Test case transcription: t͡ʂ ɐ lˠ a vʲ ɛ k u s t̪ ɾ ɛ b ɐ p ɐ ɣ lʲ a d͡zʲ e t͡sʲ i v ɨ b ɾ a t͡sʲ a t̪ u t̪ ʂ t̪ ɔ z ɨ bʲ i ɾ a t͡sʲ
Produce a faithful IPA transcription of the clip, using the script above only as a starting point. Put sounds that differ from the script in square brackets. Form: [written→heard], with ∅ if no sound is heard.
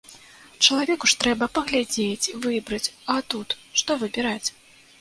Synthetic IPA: t͡ʂ ɐ lˠ a vʲ ɛ k u [s→ʂ] t̪ ɾ ɛ b ɐ p ɐ ɣ lʲ a d͡zʲ e t͡sʲ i v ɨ b ɾ [a→ɐ] t͡sʲ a t̪ u t̪ ʂ t̪ ɔ [z→v] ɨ bʲ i ɾ a t͡sʲ